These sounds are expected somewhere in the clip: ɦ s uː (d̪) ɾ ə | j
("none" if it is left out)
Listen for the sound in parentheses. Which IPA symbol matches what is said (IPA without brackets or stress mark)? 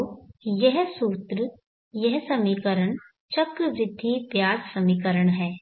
t̪